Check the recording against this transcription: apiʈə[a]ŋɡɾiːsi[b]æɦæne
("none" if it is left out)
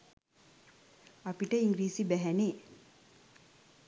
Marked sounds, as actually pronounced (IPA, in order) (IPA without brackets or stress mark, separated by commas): i, b